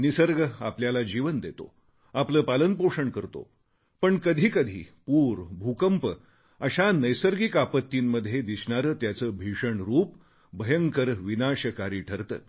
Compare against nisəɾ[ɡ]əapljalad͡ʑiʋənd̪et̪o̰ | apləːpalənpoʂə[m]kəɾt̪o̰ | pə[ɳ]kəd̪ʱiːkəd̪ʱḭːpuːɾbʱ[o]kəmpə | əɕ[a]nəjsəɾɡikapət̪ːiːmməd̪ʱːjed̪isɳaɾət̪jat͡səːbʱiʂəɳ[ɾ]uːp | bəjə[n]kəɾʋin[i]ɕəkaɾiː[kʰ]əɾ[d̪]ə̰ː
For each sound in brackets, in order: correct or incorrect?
correct, incorrect, correct, incorrect, correct, correct, incorrect, incorrect, incorrect, incorrect

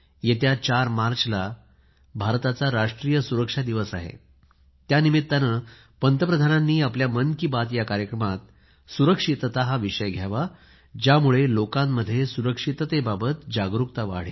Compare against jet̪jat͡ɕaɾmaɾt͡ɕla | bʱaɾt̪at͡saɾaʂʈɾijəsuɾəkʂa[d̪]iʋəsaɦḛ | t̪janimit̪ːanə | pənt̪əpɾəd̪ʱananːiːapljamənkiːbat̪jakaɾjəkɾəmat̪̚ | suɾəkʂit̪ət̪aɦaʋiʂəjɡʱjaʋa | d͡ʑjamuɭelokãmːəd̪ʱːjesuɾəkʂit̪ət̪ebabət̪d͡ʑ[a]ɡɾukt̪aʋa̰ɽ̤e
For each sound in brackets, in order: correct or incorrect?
correct, correct

